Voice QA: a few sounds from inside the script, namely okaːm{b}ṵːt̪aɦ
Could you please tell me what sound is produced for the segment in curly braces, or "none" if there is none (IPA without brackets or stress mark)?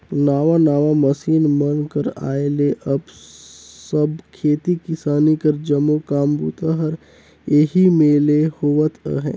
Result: b